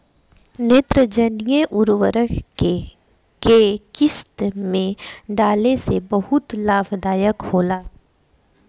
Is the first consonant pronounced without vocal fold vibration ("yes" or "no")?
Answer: no